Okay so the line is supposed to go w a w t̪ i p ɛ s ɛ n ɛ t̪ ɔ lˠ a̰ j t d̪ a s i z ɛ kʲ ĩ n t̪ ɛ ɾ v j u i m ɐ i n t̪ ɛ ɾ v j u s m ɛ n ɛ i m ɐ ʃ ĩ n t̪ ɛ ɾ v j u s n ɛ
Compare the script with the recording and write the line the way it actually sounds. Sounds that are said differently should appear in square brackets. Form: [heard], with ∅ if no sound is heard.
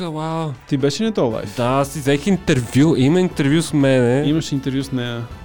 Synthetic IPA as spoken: w a w t̪ i [b] ɛ [ʃ] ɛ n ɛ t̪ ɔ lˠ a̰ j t d̪ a s i z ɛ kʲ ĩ n t̪ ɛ ɾ v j u i m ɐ i n t̪ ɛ ɾ v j u s m ɛ n ɛ i m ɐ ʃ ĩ n t̪ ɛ ɾ v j u s n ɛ